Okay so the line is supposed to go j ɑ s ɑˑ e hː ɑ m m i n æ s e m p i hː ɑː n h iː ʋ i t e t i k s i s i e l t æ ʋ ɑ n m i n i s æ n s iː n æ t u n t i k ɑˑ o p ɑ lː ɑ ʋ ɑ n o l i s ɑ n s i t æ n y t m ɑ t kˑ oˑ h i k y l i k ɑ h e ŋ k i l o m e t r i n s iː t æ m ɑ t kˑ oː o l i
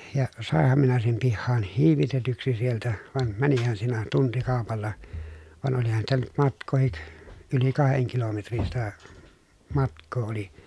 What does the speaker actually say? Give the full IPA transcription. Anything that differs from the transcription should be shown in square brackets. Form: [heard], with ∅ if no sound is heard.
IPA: j ɑ s ɑˑ e hː ɑ m m i n æ s e m p i hː ɑː n h iː ʋ i t e t [y] k s i s i e l t æ ʋ ɑ n m [æ] n i [h] æ n s iː n æ t u n t i k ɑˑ o p ɑ lː ɑ ʋ ɑ n o l i [h] ɑ n s i t æ n y t m ɑ t kˑ oˑ h i k y l i k ɑ h e ŋ k i l o m e t r i n s [i] t æ m ɑ t kˑ oː o l i